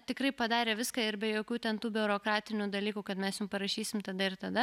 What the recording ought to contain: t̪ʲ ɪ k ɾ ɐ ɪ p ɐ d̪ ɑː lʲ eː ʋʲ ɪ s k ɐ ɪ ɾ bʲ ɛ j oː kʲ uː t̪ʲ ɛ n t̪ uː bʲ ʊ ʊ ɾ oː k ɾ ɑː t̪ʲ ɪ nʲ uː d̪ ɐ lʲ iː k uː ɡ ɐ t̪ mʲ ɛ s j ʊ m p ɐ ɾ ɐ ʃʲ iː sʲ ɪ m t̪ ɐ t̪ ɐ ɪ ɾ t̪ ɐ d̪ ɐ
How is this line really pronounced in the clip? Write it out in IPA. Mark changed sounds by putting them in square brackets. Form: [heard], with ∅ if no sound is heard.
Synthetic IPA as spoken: t̪ʲ ɪ k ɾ ɐ ɪ p ɐ d̪ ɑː [ɾʲ] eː ʋʲ ɪ s k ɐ ɪ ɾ bʲ ɛ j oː kʲ uː t̪ʲ ɛ n t̪ uː bʲ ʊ ʊ ɾ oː k ɾ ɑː t̪ʲ ɪ nʲ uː d̪ ɐ lʲ iː k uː [k] ɐ t̪ mʲ ɛ s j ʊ m p ɐ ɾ ɐ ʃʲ iː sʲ ɪ m t̪ ɐ [d̪] ɐ ɪ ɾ t̪ ɐ d̪ ɐ